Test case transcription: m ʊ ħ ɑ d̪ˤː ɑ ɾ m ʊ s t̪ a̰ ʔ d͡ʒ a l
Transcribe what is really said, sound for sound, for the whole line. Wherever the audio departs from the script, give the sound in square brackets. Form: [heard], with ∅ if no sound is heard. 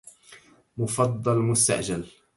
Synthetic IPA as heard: m ʊ [f] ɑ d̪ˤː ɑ [l] m ʊ s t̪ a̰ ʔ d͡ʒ a l